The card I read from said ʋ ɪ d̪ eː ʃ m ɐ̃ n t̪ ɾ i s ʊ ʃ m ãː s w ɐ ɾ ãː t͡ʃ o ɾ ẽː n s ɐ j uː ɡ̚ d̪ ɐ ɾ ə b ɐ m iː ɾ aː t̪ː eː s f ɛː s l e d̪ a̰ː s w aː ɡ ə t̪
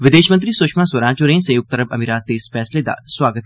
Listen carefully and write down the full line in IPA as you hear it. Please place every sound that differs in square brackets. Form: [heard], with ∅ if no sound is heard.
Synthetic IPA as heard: ʋ ɪ d̪ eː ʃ m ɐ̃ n t̪ ɾ i s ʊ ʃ m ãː s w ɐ ɾ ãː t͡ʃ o ɾ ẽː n s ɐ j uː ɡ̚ [t̪] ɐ ɾ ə b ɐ m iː ɾ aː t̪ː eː s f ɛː s l e d̪ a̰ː s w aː ɡ ə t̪